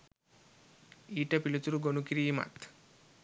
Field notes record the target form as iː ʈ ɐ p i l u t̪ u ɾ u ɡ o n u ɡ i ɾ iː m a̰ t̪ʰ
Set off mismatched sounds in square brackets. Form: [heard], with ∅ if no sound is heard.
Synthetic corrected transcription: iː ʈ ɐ p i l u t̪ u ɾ u ɡ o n u [k] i ɾ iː m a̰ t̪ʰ